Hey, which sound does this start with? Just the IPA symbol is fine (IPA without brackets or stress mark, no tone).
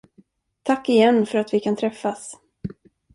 t̪ʰ